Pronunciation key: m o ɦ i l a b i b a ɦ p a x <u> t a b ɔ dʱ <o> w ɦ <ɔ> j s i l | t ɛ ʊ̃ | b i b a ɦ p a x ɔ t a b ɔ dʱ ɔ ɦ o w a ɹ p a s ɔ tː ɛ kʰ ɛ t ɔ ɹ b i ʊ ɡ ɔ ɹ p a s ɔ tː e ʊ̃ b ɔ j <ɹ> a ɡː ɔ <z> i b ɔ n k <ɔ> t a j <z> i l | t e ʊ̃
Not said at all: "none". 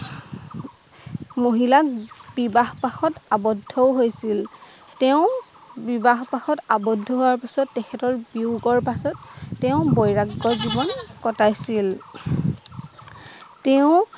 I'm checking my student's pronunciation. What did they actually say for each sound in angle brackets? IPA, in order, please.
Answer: ɔ, ɔ, o, ɹ, z, ɔ, s

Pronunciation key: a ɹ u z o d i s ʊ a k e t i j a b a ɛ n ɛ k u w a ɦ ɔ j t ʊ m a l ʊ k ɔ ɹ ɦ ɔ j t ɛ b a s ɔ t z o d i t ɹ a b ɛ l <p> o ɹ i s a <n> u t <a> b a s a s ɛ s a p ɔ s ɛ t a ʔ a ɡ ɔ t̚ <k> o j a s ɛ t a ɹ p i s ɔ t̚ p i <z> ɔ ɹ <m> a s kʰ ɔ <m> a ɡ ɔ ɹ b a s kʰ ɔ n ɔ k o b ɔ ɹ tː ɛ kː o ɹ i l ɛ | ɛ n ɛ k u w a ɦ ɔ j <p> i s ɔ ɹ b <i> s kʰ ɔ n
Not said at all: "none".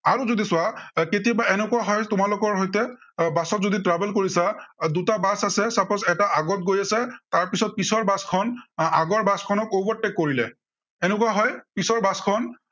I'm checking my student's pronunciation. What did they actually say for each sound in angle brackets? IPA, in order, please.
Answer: k, d, a, ɡ, s, b, n, p, a

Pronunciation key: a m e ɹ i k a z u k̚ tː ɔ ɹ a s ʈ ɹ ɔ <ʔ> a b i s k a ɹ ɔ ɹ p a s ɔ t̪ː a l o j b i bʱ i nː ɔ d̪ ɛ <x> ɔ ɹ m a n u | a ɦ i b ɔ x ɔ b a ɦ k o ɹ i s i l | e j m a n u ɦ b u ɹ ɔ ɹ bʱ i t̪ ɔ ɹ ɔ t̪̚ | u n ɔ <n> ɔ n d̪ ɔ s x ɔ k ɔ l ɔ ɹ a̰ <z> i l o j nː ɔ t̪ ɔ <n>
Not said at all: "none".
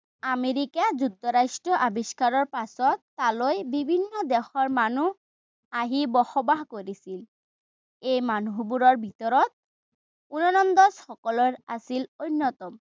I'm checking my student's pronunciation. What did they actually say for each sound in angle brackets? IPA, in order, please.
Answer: ʔ, x, n, s, m

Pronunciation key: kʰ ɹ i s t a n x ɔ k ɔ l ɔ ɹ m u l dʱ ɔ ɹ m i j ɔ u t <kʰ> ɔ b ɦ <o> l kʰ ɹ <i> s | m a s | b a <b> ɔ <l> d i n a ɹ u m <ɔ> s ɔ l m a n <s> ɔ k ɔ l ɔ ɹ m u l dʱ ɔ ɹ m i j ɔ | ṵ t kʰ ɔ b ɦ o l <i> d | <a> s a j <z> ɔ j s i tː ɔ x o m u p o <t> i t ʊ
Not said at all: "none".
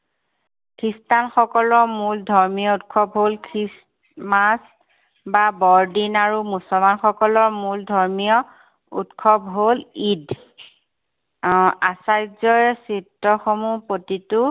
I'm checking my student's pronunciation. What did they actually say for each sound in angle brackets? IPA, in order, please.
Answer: kʰ, o, i, b, ɹ, u, x, i, a, z, t

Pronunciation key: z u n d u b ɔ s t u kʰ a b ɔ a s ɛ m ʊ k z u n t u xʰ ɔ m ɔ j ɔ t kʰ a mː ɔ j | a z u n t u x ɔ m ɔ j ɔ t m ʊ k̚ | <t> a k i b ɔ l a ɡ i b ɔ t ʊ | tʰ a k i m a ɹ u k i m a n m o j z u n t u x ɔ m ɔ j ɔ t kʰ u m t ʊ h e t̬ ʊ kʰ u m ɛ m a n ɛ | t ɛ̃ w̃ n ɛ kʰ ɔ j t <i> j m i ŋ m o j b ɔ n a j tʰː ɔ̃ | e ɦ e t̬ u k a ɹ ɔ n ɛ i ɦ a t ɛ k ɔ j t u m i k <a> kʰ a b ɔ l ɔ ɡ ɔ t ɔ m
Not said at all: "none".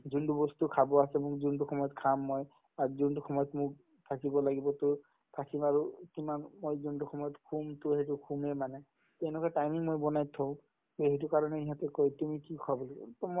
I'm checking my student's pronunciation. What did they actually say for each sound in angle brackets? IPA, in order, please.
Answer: tʰ, a, i

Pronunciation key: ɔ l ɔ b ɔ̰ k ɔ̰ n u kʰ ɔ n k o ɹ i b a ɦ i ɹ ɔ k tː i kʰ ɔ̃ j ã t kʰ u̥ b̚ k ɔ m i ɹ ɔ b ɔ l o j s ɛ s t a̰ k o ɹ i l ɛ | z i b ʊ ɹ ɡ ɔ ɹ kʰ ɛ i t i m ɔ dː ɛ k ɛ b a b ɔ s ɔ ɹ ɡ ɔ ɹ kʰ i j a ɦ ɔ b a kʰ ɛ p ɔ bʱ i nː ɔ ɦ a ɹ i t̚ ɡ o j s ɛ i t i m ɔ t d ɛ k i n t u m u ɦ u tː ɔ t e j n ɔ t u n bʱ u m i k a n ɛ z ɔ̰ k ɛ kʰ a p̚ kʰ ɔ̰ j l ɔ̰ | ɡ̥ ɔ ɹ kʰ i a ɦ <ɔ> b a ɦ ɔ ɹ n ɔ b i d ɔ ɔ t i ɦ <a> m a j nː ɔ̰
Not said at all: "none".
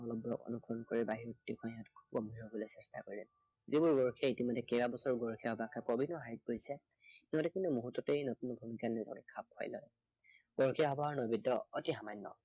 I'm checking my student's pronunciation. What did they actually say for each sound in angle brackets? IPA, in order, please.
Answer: ɔ, a

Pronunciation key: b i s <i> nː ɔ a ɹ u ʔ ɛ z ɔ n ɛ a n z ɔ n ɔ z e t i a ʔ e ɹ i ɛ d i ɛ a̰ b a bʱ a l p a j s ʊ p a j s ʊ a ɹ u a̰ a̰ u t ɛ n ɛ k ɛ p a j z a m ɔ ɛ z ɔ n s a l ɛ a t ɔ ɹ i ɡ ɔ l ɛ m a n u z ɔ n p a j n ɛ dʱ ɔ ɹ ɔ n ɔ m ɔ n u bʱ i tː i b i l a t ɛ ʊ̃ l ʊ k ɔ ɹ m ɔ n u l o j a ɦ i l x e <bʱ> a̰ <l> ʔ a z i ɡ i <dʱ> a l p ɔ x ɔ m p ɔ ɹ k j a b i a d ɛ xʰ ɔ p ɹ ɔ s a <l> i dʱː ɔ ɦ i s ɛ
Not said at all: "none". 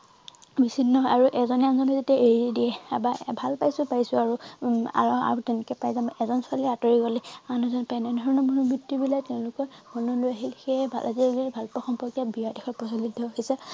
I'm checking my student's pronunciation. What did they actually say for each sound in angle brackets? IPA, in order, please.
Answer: i, bʱ, l, bʱ, l

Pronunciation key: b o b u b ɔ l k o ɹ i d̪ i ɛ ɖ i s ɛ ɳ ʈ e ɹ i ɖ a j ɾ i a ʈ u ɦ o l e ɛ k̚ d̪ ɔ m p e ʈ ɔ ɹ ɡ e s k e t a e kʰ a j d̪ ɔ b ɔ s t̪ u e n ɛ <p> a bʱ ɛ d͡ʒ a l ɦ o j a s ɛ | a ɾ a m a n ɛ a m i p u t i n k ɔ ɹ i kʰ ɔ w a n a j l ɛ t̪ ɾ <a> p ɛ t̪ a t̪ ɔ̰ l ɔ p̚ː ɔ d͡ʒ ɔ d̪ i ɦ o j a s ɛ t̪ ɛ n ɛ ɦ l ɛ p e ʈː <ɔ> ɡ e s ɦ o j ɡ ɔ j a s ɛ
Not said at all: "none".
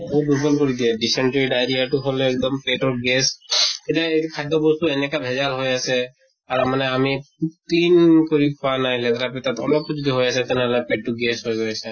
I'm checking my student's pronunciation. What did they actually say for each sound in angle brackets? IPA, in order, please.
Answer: k, a, u

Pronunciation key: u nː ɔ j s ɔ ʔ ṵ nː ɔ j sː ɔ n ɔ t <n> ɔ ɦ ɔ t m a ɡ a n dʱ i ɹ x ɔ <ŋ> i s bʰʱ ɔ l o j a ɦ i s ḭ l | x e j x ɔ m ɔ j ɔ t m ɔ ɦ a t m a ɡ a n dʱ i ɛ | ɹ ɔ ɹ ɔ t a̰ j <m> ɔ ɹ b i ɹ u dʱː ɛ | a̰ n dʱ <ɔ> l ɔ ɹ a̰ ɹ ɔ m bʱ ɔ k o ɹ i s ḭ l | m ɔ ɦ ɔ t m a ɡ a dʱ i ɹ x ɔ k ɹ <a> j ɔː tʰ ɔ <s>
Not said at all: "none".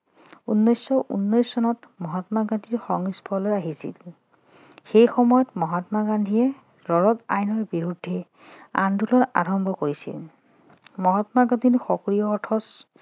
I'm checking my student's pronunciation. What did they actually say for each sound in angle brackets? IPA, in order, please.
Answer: m, ŋ, n, u, i, s

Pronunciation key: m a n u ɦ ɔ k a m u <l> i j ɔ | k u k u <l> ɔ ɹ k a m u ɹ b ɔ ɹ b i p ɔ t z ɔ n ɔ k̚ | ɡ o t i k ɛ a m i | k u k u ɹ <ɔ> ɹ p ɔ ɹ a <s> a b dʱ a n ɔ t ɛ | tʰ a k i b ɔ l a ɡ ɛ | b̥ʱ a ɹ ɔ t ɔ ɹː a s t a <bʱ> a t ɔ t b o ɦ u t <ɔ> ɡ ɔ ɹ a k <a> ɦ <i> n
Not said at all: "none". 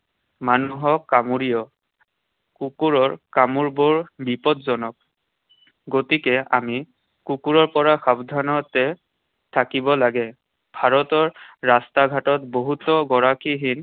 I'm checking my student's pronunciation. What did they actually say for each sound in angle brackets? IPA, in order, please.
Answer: ɹ, ɹ, ɔ, x, ɡʱ, ɔ, i, i

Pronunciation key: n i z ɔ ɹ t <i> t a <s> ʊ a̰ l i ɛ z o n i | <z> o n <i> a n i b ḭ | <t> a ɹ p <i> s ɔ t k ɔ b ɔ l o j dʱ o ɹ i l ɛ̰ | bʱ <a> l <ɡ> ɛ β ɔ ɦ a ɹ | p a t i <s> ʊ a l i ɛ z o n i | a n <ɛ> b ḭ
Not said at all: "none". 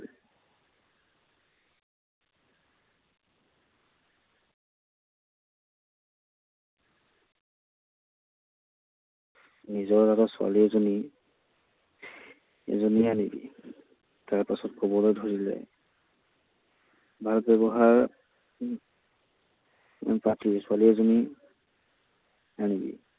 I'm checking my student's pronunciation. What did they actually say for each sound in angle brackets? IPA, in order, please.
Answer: a, s, z, i, t, a, a, b, s, i

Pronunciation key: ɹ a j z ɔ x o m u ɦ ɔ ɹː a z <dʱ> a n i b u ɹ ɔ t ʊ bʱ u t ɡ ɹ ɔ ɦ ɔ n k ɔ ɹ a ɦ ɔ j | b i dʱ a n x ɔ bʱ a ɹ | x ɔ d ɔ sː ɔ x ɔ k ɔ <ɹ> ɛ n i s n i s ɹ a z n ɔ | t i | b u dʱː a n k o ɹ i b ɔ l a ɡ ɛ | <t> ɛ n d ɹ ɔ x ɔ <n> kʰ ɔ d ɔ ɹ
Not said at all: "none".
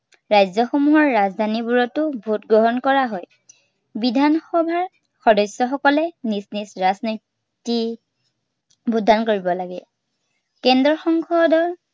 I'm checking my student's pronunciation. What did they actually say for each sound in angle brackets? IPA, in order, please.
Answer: dʱ, l, k, ŋ

